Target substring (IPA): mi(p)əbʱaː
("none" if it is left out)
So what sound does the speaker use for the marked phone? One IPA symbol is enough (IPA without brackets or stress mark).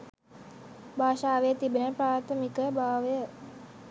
k